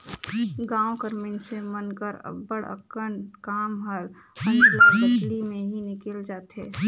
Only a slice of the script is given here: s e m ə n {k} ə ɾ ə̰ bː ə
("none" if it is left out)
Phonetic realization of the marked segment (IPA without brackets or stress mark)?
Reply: k